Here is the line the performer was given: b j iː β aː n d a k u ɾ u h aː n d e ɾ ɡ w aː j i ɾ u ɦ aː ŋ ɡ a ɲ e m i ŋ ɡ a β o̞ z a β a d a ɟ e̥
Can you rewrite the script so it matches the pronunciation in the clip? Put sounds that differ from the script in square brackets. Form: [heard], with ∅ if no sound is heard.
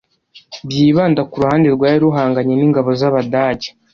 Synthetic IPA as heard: b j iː β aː n d a k u ɾ u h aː n d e ɾ ɡ w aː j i ɾ u ɦ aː ŋ ɡ a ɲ e [n] i ŋ ɡ a β o̞ z a β a d a ɟ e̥